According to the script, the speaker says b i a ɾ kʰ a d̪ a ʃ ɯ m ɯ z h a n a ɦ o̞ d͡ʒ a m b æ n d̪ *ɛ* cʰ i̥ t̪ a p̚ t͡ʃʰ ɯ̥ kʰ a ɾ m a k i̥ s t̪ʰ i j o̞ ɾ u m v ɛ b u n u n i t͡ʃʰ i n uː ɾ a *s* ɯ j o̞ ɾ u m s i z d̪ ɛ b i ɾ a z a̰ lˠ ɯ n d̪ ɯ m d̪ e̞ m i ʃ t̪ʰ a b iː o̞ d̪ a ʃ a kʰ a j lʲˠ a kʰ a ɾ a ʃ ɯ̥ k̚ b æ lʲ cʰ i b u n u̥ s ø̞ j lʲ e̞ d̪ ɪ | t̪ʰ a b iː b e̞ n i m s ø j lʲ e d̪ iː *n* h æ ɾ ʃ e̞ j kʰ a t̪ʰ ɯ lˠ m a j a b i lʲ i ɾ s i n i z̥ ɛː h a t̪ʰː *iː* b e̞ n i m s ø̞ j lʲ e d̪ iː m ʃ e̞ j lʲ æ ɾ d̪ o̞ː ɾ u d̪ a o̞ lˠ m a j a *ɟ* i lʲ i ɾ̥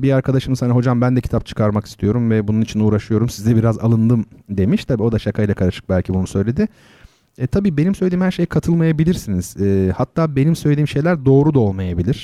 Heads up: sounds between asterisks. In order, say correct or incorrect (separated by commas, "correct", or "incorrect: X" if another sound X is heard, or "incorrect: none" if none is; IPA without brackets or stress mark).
correct, incorrect: ʃ, incorrect: m, incorrect: aː, incorrect: b